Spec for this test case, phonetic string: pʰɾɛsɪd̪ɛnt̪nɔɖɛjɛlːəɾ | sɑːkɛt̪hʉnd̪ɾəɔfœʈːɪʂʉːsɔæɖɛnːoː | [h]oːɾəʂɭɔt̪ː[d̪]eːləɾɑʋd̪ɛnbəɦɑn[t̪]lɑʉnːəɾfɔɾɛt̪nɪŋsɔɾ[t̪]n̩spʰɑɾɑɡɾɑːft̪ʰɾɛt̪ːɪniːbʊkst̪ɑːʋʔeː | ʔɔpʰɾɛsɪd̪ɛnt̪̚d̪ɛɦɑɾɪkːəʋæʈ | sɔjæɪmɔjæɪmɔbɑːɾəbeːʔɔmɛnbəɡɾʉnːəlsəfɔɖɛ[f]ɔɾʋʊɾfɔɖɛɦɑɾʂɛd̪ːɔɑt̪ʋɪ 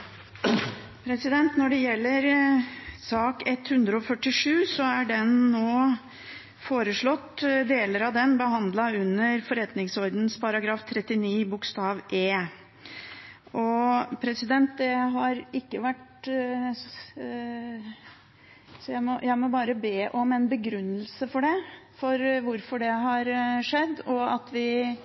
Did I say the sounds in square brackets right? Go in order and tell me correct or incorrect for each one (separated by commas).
incorrect, correct, incorrect, incorrect, correct